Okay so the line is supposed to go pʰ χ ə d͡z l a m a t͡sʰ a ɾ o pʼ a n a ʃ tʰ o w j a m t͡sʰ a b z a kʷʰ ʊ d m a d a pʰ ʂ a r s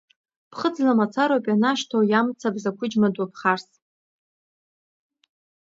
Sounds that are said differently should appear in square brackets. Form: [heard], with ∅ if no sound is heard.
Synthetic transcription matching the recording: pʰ χ ə d͡z l a m a t͡sʰ a ɾ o pʼ a n a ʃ tʰ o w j a m t͡sʰ a b z a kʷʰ ʊ [d͡ʒ] m a d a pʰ [χ] a r s